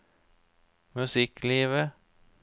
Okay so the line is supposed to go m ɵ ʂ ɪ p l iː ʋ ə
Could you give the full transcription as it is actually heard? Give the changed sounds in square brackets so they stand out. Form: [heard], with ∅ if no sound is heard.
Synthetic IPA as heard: m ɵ [s] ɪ [k] l iː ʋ ə

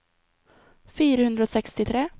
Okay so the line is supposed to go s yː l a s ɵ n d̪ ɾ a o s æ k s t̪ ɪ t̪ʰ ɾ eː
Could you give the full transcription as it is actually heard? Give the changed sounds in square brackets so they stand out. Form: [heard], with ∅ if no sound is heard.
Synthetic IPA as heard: [f] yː [ɾ] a [h] ɵ n d̪ ɾ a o s [ɛ] k s t̪ ɪ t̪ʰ ɾ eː

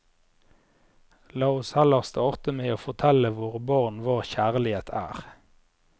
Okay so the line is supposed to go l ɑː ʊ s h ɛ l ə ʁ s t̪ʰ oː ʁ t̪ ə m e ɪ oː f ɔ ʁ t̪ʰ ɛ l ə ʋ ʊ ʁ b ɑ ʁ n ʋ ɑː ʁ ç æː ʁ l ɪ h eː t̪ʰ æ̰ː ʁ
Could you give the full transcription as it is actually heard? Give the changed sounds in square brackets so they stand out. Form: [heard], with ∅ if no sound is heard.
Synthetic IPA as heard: l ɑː ʊ s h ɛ l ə ʁ s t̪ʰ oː ʁ t̪ ə m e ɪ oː f ɔ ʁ t̪ʰ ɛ l ə ʋ ʊ ʁ b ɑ ʁ n ʋ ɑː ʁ ç æː ʁ l ɪ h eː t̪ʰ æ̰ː ʁ

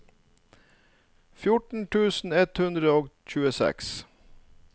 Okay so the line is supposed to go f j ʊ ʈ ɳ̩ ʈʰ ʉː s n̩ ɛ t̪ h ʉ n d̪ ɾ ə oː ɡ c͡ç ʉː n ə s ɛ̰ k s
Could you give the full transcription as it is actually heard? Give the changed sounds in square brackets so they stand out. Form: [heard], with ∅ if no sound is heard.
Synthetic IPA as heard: f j ʊ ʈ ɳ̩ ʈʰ ʉː s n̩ ɛ t̪ h ʉ n d̪ ɾ ə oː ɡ c͡ç ʉː [∅] ə s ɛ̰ k s

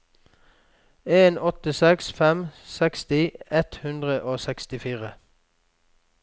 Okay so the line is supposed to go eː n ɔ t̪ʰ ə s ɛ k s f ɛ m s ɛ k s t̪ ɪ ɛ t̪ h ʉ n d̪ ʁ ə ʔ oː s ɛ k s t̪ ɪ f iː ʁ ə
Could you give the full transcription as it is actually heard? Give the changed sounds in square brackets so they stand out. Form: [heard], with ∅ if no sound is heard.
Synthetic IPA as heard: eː n ɔ [t̪] ə s ɛ k s f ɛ m s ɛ k s t̪ ɪ ɛ t̪ h ʉ n d̪ ʁ ə ʔ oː s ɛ k s t̪ ɪ f iː ʁ ə

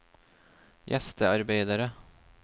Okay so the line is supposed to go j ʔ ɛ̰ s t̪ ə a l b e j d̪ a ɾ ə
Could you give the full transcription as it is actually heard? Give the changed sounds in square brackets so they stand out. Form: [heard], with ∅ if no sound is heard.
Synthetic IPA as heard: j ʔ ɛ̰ s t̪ ə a [ɾ] b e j d̪ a ɾ ə

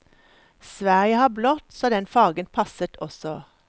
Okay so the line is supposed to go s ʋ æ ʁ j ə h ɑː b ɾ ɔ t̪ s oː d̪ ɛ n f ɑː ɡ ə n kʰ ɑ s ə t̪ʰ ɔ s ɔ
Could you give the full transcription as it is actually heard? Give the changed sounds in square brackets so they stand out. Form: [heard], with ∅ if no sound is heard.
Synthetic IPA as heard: s ʋ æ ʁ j ə h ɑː b [l] ɔ t̪ s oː d̪ ɛ n f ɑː ɡ ə n [pʰ] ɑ s ə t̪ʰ ɔ s ɔ

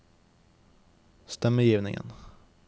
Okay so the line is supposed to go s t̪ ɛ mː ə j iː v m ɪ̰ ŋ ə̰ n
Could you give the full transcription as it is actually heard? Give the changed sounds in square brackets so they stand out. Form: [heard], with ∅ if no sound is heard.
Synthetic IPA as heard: s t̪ ɛ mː ə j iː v [n] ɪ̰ ŋ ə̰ n

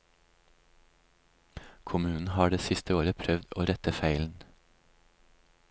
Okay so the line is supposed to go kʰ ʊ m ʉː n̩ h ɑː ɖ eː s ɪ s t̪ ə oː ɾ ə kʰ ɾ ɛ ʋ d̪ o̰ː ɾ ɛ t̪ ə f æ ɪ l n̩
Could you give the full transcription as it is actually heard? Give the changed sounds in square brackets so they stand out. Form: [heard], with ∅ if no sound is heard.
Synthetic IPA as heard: kʰ ʊ m ʉː n̩ h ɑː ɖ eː s ɪ s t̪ ə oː ɾ ə [pʰ] ɾ [œ] ʋ d̪ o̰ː ɾ ɛ t̪ ə f æ ɪ l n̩

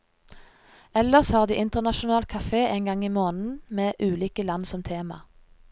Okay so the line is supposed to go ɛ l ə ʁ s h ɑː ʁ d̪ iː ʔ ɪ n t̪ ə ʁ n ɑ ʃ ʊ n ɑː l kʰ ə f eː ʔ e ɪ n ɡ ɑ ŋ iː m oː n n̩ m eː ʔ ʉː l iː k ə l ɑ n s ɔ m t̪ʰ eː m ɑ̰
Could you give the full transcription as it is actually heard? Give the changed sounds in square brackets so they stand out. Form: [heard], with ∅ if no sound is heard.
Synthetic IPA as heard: ɛ l ə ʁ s h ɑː ʁ d̪ iː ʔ ɪ n t̪ ə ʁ n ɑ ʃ ʊ n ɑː l kʰ [ɑ] f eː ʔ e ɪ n ɡ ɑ ŋ iː m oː n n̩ m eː ʔ ʉː l iː k ə l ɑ n s ɔ m t̪ʰ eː m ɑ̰

